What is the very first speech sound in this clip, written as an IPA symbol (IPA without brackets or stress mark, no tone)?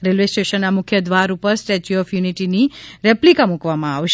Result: ɾ